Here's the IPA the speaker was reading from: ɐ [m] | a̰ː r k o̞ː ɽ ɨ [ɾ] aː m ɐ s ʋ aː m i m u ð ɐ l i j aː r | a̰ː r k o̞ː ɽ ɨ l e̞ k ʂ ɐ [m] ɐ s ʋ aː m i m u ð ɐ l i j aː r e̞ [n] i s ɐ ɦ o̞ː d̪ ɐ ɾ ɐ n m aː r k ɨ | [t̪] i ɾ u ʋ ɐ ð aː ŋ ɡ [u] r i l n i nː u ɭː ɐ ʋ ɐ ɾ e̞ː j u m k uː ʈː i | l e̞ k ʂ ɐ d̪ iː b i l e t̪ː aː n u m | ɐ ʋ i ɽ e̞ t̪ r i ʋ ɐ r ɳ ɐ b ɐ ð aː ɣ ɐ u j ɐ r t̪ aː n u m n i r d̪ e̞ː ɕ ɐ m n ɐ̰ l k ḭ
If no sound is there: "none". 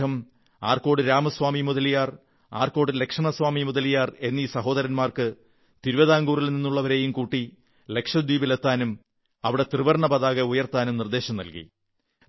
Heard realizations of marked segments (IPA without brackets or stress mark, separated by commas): m, ɾ, ɳ, nː, t̪, uː